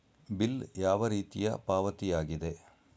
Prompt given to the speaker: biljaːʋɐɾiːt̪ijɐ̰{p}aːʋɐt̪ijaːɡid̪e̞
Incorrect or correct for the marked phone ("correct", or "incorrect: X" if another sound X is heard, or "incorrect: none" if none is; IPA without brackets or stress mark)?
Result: correct